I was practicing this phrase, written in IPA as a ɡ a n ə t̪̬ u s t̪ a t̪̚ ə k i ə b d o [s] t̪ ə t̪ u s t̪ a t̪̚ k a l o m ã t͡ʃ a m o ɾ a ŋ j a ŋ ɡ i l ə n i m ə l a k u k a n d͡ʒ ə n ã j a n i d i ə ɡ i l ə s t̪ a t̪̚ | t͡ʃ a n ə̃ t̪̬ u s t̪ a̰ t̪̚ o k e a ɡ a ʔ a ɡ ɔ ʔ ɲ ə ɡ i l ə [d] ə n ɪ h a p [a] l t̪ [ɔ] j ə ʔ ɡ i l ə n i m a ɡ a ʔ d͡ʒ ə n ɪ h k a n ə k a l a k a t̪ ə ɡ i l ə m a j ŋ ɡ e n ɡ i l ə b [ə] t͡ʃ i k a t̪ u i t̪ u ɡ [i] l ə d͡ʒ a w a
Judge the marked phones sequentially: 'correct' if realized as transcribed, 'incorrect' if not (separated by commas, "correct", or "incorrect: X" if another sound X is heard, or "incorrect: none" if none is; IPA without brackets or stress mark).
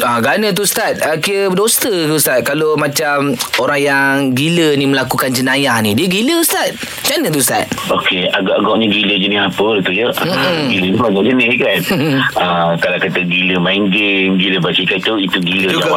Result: correct, incorrect: d͡ʒ, incorrect: ə, incorrect: u, incorrect: a, correct